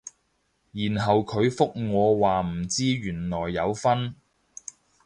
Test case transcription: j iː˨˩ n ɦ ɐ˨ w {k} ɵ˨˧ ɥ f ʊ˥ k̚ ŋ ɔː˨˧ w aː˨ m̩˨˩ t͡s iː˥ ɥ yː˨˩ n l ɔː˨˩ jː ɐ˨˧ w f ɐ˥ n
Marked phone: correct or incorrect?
incorrect